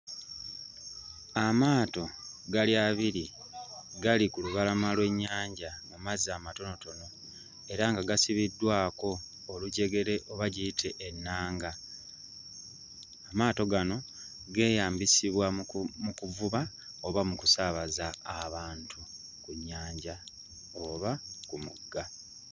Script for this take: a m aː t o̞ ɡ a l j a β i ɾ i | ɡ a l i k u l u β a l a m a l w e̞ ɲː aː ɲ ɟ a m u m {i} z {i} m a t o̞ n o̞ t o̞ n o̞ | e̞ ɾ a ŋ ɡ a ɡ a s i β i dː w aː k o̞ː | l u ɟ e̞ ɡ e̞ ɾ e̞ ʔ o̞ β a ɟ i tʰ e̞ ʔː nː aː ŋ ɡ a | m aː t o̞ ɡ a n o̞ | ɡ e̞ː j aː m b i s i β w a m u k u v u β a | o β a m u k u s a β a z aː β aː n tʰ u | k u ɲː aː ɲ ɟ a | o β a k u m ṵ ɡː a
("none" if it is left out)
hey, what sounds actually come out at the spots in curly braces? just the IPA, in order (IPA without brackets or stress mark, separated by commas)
a, a